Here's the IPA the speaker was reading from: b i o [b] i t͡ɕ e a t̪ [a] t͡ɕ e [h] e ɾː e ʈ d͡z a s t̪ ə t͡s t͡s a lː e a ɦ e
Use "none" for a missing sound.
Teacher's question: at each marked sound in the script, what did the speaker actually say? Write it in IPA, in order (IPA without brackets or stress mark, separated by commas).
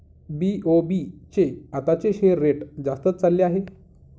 b, a, ɕ